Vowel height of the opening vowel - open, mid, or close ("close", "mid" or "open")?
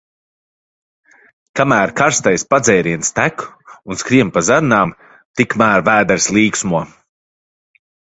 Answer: open